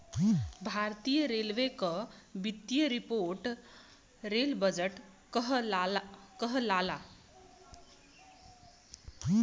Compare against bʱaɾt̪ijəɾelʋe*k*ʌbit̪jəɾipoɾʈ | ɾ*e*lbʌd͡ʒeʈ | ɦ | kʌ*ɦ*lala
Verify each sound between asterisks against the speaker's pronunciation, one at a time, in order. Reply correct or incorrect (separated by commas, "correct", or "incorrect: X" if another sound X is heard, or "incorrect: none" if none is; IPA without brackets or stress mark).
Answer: correct, correct, correct